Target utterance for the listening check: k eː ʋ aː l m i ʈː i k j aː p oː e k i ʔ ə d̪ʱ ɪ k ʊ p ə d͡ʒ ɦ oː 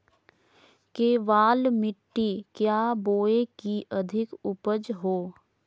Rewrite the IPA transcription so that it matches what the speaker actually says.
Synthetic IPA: k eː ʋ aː l m ɪ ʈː i k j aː b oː e k i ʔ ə d̪ʱ ɪ k ʊ p ə d͡ʒ ɦ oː